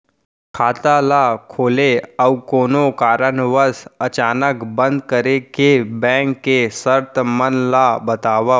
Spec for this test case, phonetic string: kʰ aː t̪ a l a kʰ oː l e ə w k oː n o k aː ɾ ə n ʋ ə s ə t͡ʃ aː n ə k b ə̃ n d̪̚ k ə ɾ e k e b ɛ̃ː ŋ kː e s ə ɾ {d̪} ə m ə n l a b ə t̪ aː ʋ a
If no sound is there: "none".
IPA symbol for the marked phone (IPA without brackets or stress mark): t̪